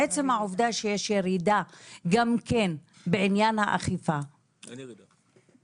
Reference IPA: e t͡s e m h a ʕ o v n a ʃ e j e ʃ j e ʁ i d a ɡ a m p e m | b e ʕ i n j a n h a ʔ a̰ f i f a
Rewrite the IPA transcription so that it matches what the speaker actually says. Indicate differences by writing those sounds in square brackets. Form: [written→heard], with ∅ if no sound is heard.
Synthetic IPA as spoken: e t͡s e m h a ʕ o v [n→d] a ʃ e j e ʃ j e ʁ i d a ɡ a m [p→k] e [m→n] | b e ʕ i n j a n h a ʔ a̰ [f→χ] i f a

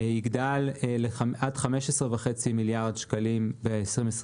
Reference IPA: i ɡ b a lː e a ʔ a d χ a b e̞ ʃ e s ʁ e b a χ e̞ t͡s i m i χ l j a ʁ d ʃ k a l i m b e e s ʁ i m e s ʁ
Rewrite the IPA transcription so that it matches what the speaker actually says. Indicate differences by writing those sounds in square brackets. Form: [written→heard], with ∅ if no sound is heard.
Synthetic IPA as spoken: i ɡ [b→d] a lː e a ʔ a d χ a [b→m] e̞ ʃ e s ʁ e [b→v] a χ e̞ t͡s i m i [χ→∅] l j a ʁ d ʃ k a l i m b e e s ʁ i m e s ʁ

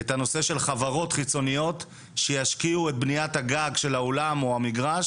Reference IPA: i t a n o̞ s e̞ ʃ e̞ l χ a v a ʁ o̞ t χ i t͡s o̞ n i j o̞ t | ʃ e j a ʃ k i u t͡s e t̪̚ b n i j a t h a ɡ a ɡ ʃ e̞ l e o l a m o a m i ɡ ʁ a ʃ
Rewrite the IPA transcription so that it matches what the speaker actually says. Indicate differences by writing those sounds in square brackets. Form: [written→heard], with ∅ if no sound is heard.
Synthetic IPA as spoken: [i→e] t a n o̞ s e̞ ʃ e̞ l χ a v a ʁ o̞ t χ i t͡s o̞ n i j o̞ t | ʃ e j a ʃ k i u [t͡s→∅] e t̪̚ b n i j a t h a ɡ a ɡ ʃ e̞ l [e→a] o l a m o a m i ɡ ʁ a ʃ

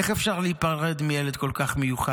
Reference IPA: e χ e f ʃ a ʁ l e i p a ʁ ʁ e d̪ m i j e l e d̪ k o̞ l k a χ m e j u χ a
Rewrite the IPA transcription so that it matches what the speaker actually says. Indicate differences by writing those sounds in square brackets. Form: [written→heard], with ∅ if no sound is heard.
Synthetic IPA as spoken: e χ e f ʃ a ʁ l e i p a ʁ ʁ e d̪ m i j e l e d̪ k o̞ l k a χ m e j u χ a

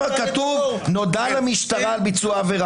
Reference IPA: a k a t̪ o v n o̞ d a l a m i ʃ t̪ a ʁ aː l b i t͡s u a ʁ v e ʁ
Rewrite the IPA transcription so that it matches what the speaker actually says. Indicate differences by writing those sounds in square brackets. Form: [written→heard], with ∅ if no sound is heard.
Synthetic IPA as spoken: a k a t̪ [o→u] v n o̞ d a l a m i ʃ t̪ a ʁ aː l b i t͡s u a [ʁ→∅] v e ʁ

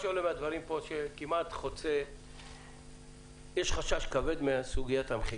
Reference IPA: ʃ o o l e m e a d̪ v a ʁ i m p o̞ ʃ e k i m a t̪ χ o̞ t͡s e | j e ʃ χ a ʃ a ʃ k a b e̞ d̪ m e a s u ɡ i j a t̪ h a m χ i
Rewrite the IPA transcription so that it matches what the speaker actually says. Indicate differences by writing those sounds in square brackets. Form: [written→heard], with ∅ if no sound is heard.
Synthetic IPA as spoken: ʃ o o l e m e a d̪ v a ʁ i m p o̞ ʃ e k i m a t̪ χ o̞ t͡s e | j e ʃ χ a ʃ a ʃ k a [b→v] e̞ d̪ m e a s u ɡ i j a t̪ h a m χ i

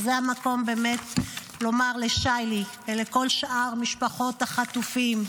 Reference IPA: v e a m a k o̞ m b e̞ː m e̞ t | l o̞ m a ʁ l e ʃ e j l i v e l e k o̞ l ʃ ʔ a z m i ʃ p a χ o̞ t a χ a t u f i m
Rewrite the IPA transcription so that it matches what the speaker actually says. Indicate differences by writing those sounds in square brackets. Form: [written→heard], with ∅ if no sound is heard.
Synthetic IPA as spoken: [v→z] e a m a k o̞ m b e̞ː m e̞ t | l o̞ m a ʁ l e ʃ [e→a] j l i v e l e k o̞ l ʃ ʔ a [z→ʁ] m i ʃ p a χ o̞ t a χ a t u f i m

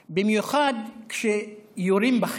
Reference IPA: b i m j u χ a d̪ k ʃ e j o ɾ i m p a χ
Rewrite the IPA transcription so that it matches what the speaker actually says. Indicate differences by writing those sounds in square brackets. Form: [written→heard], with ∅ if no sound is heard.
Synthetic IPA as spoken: b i m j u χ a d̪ k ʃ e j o ɾ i m [p→b] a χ

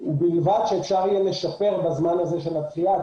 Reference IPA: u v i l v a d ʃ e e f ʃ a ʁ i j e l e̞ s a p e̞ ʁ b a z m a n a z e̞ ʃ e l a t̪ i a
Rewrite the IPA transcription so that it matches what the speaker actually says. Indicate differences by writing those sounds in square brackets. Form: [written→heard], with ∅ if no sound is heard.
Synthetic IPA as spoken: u [v→b] i l v a d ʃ e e f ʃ a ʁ i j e l e̞ [s→ʃ] a p e̞ ʁ b a z m a n a z e̞ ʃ e l a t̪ i a

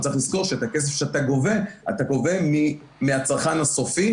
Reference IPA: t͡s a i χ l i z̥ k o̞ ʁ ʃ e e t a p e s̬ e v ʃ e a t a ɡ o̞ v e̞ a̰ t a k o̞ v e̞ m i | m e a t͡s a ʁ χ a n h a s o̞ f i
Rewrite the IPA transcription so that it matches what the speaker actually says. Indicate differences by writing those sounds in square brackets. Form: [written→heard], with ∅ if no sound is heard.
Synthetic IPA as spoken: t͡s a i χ l i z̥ k o̞ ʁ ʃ e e t a [p→k] e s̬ e [v→f] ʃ e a t a ɡ o̞ v e̞ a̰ t a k o̞ v e̞ m i | m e a t͡s a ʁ χ a n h a s o̞ f i

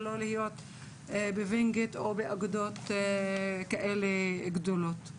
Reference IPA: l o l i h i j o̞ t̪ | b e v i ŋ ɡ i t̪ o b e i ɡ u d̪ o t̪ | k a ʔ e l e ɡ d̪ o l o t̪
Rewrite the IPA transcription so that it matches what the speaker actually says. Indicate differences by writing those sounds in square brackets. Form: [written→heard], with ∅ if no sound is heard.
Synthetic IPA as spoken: l o l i h i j o̞ t̪ | b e v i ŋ ɡ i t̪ o b e [i→a] ɡ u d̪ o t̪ | k a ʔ e l e ɡ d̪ o l o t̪

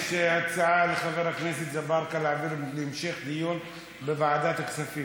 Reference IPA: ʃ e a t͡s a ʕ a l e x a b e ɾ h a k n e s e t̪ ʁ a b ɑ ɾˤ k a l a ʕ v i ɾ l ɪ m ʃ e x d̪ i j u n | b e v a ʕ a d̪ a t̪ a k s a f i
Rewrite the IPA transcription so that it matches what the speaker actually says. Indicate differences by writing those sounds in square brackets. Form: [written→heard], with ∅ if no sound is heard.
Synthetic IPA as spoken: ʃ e a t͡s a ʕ a l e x a [b→v] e ɾ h a k n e s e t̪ [ʁ→z] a b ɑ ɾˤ k a l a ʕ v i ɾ l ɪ m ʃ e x d̪ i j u n | b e v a ʕ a d̪ a t̪ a k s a f i

